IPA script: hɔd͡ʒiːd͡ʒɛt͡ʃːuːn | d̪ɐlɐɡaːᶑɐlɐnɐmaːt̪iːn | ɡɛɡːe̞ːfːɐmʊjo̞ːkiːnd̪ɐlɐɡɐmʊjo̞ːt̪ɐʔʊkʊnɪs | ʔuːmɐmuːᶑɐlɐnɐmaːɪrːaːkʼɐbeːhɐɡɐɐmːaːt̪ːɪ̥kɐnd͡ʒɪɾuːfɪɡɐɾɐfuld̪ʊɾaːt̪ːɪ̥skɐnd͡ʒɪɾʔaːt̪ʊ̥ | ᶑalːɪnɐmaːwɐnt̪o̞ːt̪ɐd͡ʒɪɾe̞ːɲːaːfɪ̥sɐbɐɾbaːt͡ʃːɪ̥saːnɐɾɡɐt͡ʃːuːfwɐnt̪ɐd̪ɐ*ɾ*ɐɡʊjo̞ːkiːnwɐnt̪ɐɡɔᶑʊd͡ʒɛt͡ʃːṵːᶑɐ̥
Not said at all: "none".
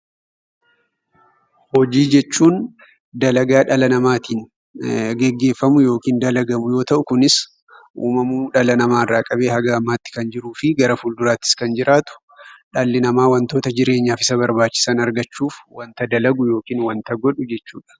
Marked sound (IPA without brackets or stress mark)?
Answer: l